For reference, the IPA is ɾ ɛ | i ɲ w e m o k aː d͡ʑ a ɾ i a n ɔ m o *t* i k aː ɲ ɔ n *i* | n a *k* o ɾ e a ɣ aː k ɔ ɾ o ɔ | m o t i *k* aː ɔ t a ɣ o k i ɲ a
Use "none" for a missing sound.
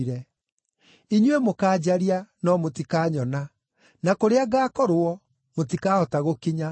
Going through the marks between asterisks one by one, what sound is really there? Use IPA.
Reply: t, a, k, k

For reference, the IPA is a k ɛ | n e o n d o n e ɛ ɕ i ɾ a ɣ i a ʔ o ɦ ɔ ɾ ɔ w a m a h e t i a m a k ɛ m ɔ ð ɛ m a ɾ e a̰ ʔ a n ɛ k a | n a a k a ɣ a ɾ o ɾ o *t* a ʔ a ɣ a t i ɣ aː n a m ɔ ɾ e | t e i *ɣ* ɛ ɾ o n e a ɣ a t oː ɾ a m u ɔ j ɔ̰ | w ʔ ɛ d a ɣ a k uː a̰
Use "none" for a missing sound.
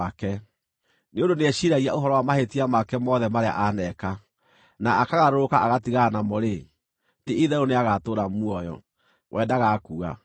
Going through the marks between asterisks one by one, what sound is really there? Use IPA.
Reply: k, ð

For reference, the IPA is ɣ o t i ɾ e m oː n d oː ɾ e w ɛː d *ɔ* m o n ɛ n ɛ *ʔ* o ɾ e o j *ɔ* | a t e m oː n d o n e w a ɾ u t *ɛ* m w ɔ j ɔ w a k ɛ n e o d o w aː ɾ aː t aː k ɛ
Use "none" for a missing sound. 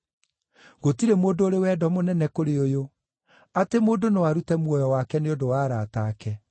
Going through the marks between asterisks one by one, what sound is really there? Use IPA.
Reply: ɔ, k, o, ɛ

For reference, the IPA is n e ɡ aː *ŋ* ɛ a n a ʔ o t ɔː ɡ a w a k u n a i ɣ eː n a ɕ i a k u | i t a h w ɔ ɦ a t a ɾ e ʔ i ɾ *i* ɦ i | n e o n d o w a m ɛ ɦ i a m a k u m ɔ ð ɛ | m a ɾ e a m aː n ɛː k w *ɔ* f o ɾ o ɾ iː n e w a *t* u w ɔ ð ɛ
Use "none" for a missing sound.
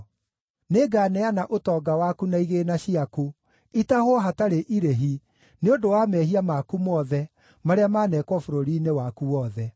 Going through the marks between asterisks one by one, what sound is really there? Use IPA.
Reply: n, e, ɔ, k

